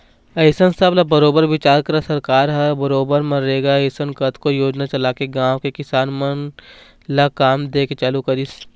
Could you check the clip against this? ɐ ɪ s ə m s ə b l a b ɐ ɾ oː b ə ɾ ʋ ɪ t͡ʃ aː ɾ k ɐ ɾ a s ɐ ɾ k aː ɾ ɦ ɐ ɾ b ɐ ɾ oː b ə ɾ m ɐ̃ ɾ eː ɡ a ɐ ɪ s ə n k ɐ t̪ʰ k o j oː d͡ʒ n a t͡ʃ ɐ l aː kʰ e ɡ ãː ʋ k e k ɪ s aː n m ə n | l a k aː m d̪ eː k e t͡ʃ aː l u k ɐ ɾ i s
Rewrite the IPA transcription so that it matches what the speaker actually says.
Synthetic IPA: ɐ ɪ s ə n s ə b l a b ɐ ɾ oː b ə ɾ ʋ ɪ t͡ʃ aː ɾ k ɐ ɾ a s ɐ ɾ k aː ɾ ɦ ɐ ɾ b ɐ ɾ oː b ə ɾ m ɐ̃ ɾ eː ɡ a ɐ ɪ s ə n k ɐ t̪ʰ k o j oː d͡ʒ n a t͡ʃ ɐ l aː k e ɡ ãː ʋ k e k ɪ s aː n m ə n | l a k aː m d̪ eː k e t͡ʃ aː l u k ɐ ɾ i s